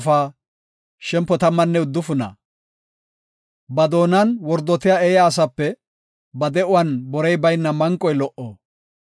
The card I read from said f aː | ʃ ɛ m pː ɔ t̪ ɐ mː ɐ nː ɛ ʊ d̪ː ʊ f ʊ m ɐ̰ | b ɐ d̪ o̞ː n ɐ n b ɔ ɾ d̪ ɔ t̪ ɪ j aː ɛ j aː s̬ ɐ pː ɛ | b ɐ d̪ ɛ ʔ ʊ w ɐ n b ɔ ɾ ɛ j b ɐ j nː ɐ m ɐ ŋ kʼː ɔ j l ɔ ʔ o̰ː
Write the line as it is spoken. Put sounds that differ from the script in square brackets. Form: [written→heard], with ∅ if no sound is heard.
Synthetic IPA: f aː | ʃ ɛ m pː ɔ t̪ ɐ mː ɐ nː ɛ ʊ d̪ː ʊ f ʊ [m→n] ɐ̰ | b ɐ d̪ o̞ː n ɐ n [b→w] ɔ ɾ d̪ ɔ t̪ ɪ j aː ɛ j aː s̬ ɐ pː ɛ | b ɐ d̪ ɛ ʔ ʊ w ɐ n b ɔ ɾ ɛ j b ɐ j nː ɐ m ɐ ŋ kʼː ɔ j l ɔ ʔ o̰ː